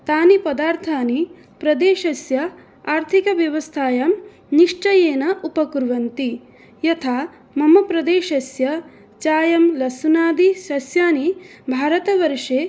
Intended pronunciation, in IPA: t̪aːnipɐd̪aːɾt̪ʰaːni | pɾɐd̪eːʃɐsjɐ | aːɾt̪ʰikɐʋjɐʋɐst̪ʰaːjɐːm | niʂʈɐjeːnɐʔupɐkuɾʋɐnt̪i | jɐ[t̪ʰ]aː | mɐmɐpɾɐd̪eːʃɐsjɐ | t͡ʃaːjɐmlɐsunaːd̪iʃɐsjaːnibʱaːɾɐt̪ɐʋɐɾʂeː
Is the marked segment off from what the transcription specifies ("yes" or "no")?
no